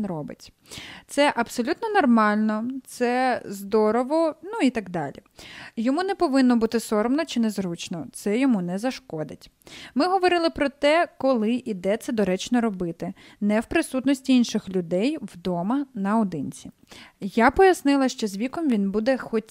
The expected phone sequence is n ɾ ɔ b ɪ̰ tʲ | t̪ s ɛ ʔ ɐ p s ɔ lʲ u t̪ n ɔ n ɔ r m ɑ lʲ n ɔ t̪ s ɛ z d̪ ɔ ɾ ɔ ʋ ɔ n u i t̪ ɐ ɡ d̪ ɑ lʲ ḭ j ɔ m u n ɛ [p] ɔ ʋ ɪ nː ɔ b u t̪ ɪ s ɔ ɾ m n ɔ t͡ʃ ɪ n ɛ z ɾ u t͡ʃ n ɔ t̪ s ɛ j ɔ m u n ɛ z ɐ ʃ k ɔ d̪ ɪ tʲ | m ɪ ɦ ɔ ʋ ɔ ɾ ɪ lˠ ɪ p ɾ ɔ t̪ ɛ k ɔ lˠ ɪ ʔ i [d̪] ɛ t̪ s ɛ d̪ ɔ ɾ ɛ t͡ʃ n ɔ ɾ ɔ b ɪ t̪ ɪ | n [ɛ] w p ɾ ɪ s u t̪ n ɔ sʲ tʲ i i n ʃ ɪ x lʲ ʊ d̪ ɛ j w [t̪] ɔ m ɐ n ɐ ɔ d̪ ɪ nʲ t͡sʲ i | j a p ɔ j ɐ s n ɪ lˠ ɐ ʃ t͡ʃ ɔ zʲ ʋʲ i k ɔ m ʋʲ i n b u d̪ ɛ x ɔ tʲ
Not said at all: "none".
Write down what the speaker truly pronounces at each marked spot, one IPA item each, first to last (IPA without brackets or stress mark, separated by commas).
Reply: p, d̪, ɛ, d̪